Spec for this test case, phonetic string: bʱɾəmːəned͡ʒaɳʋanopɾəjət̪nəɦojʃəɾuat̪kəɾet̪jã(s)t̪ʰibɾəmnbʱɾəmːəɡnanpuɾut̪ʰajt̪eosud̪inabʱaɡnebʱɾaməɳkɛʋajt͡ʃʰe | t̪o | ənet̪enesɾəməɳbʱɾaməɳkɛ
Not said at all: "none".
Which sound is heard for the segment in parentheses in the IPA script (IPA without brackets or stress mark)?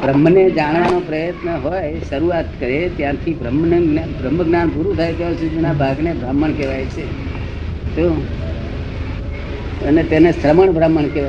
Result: none